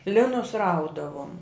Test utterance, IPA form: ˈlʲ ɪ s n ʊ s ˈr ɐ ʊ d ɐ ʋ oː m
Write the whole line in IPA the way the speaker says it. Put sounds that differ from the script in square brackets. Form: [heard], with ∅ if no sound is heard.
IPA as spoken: ˈlʲ ɪ [∅] n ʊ s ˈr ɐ ʊ d ɐ ʋ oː m

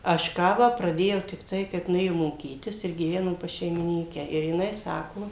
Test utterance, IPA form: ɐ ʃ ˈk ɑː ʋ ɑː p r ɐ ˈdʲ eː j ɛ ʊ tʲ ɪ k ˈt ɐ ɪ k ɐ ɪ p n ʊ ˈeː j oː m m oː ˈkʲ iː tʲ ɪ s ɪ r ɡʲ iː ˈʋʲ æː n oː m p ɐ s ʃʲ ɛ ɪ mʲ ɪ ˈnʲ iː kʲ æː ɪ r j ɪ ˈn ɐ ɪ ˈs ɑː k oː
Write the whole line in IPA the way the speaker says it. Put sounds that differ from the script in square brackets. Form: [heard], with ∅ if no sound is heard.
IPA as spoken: ɐ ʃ ˈk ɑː ʋ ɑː p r ɐ ˈdʲ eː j ɛ ʊ tʲ ɪ k ˈt ɐ ɪ k ɐ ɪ p n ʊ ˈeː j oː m m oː ˈkʲ iː tʲ ɪ s ɪ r ɡʲ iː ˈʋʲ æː n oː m p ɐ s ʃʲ ɛ ɪ mʲ ɪ ˈnʲ iː kʲ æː ɪ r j ɪ ˈn ɐ ɪ ˈs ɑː k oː

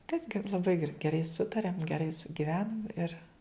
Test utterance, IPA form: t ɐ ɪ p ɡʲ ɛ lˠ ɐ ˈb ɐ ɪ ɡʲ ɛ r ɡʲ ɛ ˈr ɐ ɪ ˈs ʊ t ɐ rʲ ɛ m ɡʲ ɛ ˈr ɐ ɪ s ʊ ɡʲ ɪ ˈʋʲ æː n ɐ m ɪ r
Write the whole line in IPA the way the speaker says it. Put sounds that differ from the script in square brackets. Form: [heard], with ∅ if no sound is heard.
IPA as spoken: t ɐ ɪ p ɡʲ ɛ lˠ ɐ ˈb ɐ ɪ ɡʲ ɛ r ɡʲ ɛ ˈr ɐ ɪ ˈs ʊ t ɐ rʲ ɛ m ɡʲ ɛ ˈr ɐ ɪ s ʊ ɡʲ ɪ ˈʋʲ æː n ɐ m ɪ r

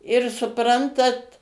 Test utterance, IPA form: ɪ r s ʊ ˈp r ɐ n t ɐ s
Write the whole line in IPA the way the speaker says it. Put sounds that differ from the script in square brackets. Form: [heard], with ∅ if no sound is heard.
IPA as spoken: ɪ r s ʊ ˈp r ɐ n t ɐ [t]

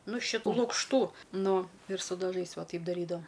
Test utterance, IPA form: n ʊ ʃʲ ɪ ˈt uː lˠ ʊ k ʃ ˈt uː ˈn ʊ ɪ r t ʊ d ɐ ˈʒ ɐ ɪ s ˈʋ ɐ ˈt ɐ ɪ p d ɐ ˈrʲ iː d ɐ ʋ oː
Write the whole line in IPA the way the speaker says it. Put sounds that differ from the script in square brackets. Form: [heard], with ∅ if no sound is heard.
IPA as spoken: n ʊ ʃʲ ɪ ˈt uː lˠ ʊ k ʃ ˈt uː ˈn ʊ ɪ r [s] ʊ d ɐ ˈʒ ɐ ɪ s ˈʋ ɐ ˈt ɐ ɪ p d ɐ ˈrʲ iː d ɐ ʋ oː

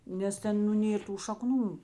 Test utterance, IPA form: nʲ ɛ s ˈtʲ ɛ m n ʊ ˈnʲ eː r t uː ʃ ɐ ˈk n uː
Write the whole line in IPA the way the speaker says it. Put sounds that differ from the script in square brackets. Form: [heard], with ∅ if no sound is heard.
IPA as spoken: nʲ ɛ s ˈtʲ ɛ [n] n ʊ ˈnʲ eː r t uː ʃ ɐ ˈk n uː

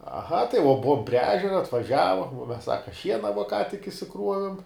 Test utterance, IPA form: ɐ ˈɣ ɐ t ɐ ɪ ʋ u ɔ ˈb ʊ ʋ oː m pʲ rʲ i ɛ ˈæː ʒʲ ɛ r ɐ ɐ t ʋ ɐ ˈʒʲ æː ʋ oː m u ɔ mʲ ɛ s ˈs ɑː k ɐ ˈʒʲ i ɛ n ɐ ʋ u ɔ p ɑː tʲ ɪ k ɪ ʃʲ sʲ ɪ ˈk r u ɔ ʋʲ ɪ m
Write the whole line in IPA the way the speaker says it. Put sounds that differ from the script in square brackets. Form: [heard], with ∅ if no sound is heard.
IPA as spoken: ɐ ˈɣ ɐ t ɐ ɪ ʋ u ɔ ˈb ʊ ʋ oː m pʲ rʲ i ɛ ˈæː ʒʲ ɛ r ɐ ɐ t ʋ ɐ ˈʒʲ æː ʋ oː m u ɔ mʲ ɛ s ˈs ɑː k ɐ [ˈʃʲ] i ɛ n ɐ ʋ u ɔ [k] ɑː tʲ ɪ k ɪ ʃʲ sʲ ɪ ˈk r u ɔ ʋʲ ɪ m

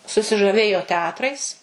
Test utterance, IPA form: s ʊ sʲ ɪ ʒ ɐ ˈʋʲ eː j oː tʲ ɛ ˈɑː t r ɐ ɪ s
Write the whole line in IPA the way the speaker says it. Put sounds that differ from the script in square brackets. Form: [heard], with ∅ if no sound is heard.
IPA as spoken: s ʊ sʲ ɪ ʒ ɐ ˈʋʲ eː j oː tʲ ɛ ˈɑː t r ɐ ɪ s

